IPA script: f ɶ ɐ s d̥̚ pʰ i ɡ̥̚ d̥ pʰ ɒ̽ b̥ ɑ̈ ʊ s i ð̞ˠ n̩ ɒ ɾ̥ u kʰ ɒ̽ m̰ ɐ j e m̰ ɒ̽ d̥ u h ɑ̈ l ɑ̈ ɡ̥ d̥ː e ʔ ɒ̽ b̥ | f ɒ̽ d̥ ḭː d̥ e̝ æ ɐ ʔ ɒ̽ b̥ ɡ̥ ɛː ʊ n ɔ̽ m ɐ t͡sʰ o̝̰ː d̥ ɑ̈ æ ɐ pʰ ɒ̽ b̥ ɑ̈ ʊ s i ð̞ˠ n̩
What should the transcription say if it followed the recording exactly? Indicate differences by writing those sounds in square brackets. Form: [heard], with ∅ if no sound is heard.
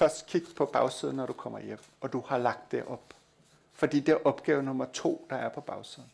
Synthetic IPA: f ɶ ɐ s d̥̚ [kʰ] i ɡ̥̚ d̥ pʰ ɒ̽ b̥ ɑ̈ ʊ s i ð̞ˠ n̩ ɒ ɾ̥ u kʰ ɒ̽ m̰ ɐ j e m̰ ɒ̽ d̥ u h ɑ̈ l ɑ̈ ɡ̥ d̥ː e ʔ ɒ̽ b̥ | f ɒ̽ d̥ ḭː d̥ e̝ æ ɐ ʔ ɒ̽ b̥ ɡ̥ ɛː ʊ n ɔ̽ m ɐ t͡sʰ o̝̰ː d̥ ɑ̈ æ ɐ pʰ ɒ̽ b̥ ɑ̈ ʊ s i ð̞ˠ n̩